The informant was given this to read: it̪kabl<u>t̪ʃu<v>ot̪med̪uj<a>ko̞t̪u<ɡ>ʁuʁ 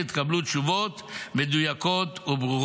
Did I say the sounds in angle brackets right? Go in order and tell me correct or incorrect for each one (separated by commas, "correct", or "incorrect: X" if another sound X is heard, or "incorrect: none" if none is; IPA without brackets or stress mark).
correct, correct, correct, incorrect: b